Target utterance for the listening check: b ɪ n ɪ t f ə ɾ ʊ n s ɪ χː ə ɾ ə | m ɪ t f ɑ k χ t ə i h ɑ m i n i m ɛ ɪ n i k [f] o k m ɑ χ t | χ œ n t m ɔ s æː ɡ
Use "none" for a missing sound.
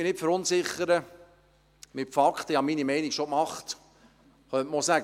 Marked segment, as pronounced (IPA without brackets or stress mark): ʃ